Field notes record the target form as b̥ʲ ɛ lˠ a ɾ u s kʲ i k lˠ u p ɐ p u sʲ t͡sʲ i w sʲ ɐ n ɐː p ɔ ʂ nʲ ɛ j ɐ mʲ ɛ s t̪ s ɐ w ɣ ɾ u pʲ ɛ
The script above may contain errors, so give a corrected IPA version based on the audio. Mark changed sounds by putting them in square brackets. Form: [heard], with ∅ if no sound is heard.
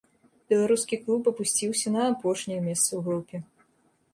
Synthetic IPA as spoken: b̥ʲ ɛ lˠ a ɾ u s kʲ i k lˠ u p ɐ p u sʲ t͡sʲ i w sʲ ɐ n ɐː p ɔ ʂ nʲ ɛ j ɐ mʲ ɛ s t̪ s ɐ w ɣ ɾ u pʲ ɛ